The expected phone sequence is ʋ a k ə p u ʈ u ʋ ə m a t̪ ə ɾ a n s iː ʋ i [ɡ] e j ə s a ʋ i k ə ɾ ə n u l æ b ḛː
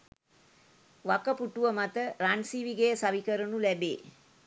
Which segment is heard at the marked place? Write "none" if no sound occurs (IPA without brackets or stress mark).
ɡ